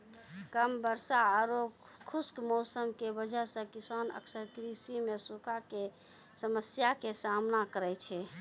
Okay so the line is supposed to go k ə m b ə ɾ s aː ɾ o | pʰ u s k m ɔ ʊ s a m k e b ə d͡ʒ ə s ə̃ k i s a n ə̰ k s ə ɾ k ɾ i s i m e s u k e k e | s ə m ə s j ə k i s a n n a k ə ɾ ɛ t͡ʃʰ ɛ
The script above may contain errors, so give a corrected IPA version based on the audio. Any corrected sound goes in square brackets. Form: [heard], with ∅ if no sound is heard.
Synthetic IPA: k ə m b ə ɾ s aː ɾ o | [kʰ] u s k m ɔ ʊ s [ə] m k e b ə d͡ʒ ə s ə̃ k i s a n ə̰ k s ə ɾ k ɾ i s i m e s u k [a] k e | s ə m ə s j [a] k [e] s a [m] n a k ə ɾ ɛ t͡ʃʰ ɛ